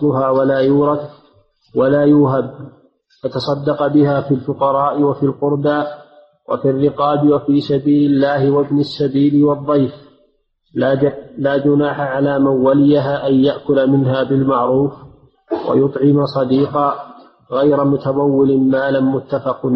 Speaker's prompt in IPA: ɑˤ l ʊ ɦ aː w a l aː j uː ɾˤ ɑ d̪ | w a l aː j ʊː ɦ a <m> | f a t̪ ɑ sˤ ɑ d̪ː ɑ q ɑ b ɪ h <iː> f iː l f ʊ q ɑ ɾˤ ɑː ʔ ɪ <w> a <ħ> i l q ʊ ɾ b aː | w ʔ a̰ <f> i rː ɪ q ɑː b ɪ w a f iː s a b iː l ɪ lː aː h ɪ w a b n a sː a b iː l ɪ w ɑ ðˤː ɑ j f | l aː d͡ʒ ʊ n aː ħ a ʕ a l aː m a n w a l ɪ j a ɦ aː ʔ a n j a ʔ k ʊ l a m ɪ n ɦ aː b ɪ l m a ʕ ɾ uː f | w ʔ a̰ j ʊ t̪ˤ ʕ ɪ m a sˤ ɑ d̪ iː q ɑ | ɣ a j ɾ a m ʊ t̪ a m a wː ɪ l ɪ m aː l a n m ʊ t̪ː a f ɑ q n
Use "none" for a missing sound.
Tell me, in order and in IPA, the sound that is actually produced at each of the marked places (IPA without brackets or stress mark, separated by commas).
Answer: b, aː, w, f, f